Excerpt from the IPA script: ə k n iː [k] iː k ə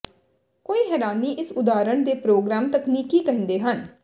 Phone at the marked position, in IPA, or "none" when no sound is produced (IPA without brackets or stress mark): k